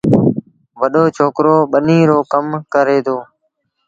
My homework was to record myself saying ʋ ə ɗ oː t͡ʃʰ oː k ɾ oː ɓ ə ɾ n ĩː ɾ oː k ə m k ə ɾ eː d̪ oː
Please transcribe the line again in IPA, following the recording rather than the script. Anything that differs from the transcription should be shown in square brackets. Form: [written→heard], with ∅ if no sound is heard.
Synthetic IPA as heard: ʋ ə ɗ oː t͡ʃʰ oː k ɾ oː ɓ ə [ɾ→∅] n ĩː ɾ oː k ə m k ə ɾ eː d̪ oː